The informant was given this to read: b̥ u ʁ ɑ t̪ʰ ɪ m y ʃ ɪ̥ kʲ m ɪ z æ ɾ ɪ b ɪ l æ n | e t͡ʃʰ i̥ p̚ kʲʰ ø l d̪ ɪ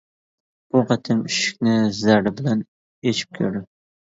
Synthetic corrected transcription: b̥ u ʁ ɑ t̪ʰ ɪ m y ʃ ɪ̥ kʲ n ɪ z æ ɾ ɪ b ɪ l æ n | e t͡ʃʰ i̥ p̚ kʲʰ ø ɾ d̪ ɪ

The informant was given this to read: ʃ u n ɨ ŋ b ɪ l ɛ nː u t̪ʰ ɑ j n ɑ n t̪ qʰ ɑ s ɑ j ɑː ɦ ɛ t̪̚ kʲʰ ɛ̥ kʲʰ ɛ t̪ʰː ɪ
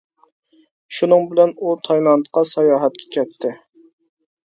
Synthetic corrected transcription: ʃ u n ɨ ŋ b ɪ l ɛ n u t̪ʰ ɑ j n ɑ n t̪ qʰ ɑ s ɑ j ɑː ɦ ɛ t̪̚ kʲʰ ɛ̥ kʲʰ ɛ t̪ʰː ɪ

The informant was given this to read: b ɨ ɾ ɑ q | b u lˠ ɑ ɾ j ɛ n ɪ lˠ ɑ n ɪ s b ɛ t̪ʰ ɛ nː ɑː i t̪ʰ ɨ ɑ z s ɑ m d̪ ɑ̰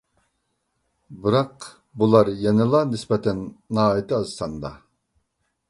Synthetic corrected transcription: b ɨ ɾ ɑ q | b u lˠ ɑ ɾ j ɛ n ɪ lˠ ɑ n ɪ s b ɛ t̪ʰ ɛ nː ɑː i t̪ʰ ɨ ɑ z s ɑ n d̪ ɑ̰

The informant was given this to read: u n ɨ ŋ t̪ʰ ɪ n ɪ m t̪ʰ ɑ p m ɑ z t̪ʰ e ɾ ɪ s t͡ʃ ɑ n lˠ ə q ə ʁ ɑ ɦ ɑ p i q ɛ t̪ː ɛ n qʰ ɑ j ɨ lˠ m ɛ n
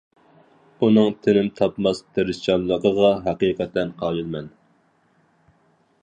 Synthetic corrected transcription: u n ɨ ŋ t̪ʰ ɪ n ɪ m t̪ʰ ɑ p m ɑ s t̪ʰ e ɾ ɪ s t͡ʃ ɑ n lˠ ə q ə ʁ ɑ ɦ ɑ q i q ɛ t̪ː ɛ n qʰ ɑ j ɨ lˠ m ɛ n

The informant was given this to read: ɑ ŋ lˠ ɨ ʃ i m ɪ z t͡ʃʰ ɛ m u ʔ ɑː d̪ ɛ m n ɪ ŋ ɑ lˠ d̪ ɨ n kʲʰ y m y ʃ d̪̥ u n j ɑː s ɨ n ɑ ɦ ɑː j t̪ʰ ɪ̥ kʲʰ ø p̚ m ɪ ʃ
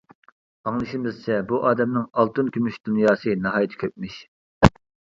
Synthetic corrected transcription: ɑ ŋ lˠ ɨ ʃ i m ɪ z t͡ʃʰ ɛ b u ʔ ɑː d̪ ɛ m n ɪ ŋ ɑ lˠ t̪ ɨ n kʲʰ y m y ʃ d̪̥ u n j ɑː s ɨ n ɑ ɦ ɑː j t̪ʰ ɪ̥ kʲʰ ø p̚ m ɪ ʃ

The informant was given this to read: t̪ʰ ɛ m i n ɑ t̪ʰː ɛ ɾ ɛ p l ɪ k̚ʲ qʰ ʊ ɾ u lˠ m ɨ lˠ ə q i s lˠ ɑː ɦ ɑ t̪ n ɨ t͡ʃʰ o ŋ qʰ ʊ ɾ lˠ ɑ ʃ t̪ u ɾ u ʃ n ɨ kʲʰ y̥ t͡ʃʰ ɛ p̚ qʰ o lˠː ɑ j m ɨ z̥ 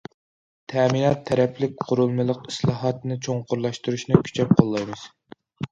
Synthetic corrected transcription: t̪ʰ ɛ m i n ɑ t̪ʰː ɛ ɾ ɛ p l ɪ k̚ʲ qʰ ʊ ɾ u lˠ m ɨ lˠ ə q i s lˠ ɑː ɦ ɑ t̪ n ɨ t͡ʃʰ o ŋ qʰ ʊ ɾ lˠ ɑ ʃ t̪ u ɾ u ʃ n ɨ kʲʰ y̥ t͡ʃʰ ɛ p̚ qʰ o lˠː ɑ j m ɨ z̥

